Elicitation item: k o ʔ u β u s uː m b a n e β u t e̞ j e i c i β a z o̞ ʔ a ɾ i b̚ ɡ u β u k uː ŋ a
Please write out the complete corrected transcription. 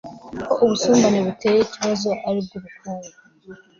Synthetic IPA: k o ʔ u β u s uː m b a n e β u t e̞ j e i c i β a z o̞ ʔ a ɾ i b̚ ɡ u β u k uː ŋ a